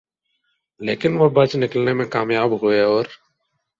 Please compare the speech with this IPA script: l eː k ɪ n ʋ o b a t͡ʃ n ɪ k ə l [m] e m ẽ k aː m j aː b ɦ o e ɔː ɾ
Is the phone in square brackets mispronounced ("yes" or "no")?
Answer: yes